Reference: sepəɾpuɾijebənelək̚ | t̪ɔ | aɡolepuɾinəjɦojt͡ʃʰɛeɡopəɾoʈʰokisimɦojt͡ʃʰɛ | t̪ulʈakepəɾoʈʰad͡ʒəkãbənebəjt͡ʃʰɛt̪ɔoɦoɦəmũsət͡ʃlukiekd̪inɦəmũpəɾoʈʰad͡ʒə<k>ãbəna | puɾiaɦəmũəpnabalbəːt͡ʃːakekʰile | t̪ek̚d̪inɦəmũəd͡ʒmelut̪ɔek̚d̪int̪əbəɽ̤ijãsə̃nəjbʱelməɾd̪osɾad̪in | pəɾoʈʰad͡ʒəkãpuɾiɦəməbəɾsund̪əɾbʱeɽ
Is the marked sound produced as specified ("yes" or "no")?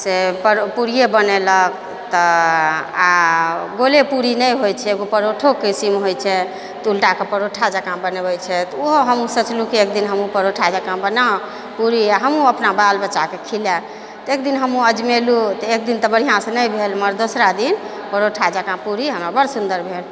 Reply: yes